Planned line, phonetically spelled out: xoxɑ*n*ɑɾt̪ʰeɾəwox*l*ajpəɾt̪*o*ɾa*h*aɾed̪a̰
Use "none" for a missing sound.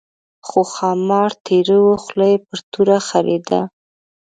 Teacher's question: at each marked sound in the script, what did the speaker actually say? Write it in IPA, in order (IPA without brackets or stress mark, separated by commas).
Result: m, l, u, x